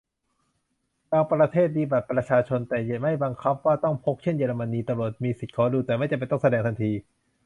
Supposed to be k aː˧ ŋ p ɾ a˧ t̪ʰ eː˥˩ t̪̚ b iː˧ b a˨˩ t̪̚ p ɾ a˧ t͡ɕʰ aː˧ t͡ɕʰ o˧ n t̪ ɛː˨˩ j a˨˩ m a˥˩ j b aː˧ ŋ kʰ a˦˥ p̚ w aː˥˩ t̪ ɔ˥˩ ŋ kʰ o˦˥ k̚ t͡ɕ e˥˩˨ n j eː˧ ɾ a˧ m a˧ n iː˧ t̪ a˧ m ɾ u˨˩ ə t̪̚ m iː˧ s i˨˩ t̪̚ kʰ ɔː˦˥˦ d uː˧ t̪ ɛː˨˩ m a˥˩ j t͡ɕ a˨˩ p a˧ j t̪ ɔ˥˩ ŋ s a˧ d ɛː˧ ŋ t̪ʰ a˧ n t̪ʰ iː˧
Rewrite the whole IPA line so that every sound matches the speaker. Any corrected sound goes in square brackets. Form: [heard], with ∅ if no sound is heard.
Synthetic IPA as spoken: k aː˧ ŋ p ɾ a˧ t̪ʰ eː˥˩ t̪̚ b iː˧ b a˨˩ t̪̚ p ɾ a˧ t͡ɕʰ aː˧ t͡ɕʰ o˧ n t̪ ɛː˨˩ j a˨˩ m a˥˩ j b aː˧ ŋ kʰ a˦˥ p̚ w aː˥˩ t̪ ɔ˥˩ ŋ [pʰ] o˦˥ k̚ [t͡ɕʰ] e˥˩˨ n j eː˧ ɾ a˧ m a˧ n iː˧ t̪ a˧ m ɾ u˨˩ ə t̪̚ m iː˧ s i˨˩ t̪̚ kʰ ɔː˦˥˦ d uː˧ t̪ ɛː˨˩ m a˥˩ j t͡ɕ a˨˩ p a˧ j t̪ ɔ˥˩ ŋ s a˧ d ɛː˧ ŋ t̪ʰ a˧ n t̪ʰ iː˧

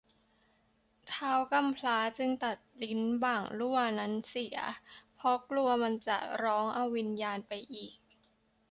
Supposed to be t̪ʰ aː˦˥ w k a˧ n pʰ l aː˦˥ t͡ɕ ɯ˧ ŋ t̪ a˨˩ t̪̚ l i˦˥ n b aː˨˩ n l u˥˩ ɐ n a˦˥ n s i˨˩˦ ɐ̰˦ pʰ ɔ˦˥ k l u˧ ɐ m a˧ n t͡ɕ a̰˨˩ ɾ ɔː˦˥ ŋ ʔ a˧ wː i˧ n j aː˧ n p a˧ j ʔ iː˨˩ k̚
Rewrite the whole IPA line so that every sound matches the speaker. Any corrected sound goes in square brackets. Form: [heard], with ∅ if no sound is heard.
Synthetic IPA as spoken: t̪ʰ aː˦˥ w k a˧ [m] pʰ l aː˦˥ t͡ɕ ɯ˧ ŋ t̪ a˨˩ t̪̚ l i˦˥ n b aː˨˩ [ŋ] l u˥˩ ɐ n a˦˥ n s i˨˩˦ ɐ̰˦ pʰ ɔ˦˥ k l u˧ ɐ m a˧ n t͡ɕ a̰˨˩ ɾ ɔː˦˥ ŋ ʔ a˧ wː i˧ n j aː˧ n p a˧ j ʔ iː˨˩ k̚

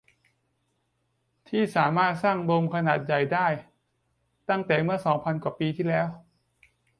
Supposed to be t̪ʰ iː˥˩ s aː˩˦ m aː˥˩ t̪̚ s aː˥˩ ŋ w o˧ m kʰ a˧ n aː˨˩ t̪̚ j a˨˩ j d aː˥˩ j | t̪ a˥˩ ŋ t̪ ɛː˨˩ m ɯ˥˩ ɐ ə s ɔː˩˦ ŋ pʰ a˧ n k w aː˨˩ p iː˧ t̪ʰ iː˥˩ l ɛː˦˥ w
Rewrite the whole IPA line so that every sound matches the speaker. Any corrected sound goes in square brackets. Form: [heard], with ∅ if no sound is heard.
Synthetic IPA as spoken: t̪ʰ iː˥˩ s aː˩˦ m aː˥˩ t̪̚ s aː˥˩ ŋ [b] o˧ m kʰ a˧ n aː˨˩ t̪̚ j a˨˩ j d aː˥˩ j | t̪ a˥˩ ŋ t̪ ɛː˨˩ m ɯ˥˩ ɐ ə s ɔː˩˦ ŋ pʰ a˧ n k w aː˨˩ p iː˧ t̪ʰ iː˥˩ l ɛː˦˥ w

